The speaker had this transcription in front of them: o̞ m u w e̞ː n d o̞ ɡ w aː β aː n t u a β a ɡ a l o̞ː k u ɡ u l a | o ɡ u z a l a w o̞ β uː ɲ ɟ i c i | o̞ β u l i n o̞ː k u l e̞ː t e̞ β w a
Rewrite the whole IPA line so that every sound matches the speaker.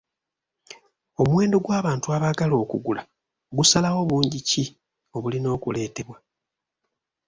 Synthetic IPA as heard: o̞ m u w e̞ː n d o̞ ɡ w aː β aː n t u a β a ɡ a l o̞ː k u ɡ u l a | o ɡ u s a l a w o̞ β uː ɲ ɟ i c i | o̞ β u l i n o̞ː k u l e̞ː t e̞ β w a